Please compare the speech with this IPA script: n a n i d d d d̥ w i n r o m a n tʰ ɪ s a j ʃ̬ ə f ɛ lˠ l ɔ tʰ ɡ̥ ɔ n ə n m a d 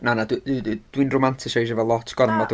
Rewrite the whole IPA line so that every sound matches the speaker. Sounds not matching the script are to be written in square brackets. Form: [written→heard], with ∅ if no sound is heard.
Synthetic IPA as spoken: n a n [i→a] d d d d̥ w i n r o m a n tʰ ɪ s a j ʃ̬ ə [f→v] ɛ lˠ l ɔ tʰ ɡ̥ ɔ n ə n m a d